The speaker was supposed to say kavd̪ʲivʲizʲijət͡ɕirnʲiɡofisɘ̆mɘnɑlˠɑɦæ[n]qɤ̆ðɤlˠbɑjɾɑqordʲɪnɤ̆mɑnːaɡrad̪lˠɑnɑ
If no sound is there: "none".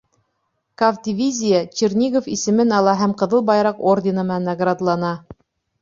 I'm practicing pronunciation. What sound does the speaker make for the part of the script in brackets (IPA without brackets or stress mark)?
m